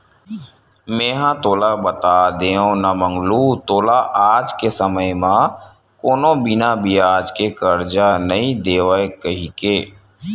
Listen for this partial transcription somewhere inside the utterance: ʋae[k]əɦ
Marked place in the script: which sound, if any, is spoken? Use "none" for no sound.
k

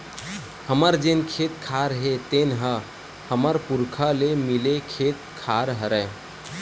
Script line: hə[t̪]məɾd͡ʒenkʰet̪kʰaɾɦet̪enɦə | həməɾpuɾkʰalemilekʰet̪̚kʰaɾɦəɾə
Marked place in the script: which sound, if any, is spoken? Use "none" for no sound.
none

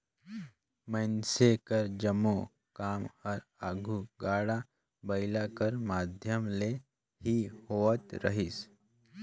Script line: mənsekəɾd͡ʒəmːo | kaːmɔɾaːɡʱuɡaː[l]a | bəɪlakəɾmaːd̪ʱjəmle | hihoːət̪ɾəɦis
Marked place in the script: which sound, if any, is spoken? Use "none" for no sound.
ɽ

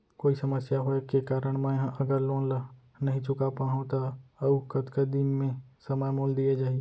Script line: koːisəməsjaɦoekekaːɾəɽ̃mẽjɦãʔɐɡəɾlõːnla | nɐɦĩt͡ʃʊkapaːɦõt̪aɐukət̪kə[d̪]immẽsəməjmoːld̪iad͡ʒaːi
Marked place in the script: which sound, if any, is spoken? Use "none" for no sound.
d̪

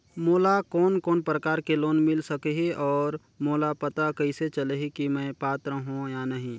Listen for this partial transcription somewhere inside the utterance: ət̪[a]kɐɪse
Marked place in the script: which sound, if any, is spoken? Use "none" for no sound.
a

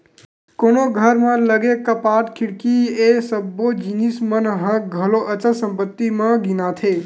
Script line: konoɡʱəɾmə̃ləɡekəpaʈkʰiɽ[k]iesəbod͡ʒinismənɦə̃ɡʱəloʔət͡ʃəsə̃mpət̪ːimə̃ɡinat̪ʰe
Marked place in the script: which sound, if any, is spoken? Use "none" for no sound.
k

